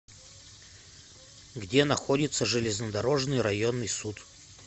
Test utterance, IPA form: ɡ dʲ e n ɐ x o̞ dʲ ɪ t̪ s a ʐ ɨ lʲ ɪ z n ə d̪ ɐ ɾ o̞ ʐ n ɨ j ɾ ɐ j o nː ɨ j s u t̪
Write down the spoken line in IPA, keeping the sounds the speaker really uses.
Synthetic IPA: ɡ dʲ e n ɐ x o̞ dʲ ɪ t̪ s ə ʐ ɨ lʲ ɪ z n ə d̪ ɐ ɾ o̞ ʐ n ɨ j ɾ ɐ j o nː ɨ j s u t̪